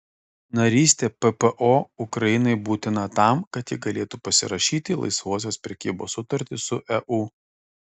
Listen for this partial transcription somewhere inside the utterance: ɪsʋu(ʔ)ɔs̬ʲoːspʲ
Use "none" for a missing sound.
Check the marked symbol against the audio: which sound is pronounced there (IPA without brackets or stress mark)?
none